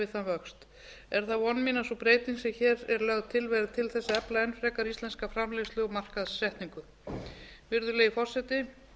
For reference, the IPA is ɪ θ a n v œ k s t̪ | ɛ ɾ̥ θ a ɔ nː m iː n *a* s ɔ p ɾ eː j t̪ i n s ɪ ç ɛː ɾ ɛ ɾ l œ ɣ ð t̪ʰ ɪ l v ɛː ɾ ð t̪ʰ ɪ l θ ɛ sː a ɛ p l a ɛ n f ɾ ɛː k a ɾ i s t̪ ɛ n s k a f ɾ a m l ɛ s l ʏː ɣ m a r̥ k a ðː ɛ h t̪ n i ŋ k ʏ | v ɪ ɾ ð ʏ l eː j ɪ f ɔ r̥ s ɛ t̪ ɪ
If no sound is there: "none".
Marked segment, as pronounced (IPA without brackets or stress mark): a